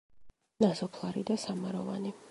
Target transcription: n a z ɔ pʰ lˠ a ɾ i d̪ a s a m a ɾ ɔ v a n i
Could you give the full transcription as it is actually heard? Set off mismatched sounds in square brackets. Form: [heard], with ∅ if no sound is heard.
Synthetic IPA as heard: n a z ɔ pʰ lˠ a ɾ i d̪ a s a m a ɾ ɔ v a n i